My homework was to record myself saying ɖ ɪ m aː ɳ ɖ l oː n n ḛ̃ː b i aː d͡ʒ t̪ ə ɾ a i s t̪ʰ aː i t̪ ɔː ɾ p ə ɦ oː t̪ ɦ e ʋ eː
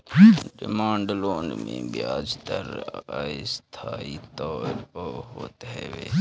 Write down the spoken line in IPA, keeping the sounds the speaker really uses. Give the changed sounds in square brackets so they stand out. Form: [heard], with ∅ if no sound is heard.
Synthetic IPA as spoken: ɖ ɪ m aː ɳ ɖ l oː n [m] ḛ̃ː b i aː d͡ʒ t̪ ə ɾ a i s t̪ʰ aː i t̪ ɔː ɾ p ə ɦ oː t̪ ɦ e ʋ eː